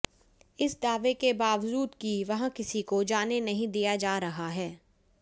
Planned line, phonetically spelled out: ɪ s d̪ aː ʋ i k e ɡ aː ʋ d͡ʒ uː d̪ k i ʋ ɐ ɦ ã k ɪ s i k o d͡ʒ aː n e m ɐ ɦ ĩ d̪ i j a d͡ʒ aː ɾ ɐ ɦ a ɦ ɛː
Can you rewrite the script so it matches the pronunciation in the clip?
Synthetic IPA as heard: ɪ s d̪ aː ʋ e k e b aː ʋ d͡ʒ uː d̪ k i ʋ ɐ ɦ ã k ɪ s i k o d͡ʒ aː n e n ɐ ɦ ĩ d̪ i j a d͡ʒ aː ɾ ɐ ɦ a ɦ ɛː